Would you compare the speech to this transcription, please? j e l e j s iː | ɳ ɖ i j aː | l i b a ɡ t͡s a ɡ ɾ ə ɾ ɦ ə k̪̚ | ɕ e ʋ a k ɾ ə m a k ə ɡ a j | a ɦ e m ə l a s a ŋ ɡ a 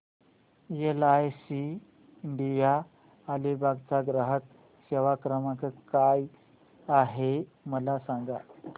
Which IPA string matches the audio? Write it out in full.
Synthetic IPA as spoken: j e l a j s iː | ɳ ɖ i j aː | l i b a ɡ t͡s a ɡ ɾ ə ɦ ə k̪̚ | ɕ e ʋ a k ɾ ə m a k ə k a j | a ɦ e m ə l a s a ŋ ɡ a